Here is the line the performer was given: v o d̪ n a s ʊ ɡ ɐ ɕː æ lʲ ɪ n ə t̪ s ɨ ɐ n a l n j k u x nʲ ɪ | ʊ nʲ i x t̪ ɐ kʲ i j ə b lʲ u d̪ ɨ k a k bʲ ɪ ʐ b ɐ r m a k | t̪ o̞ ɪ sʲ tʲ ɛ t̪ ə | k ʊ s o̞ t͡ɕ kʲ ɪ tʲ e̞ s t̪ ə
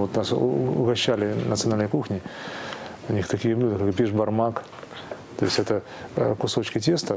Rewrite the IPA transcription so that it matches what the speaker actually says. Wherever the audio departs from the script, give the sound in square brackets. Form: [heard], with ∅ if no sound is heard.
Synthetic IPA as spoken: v o [t̪] n a s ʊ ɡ ɐ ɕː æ lʲ ɪ n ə t̪ s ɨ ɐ n a l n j k u x nʲ ɪ | ʊ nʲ i x t̪ ɐ kʲ i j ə b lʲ u d̪ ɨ k a k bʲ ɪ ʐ b ɐ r m a k | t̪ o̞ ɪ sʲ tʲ ɛ t̪ ə | k ʊ s o̞ t͡ɕ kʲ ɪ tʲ e̞ s t̪ ə